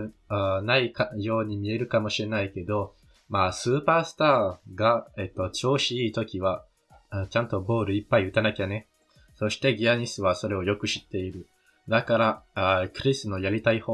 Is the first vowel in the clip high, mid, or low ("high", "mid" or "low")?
low